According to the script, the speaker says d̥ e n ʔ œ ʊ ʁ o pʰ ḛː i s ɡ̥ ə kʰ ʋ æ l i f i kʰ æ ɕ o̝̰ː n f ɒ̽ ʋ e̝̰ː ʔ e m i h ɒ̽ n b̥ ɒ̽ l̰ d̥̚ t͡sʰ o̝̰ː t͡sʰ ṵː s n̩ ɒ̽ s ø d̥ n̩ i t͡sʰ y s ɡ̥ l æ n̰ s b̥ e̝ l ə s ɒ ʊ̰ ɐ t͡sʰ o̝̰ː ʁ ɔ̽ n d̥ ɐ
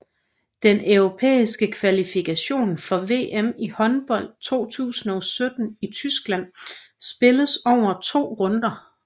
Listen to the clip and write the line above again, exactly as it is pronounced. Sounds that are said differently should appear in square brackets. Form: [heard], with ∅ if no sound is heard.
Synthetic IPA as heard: d̥ e n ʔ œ ʊ ʁ o pʰ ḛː i s ɡ̥ ə kʰ ʋ æ l i f i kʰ æ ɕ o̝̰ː n f ɒ̽ ʋ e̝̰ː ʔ e m i h ɒ̽ n b̥ ɒ̽ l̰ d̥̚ t͡sʰ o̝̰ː t͡sʰ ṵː s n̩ ɒ̽ s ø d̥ n̩ i t͡sʰ y s ɡ̥ l æ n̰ s b̥ e̝ l ə s ɒ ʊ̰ ɐ t͡sʰ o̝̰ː ʁ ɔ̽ n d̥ ɐ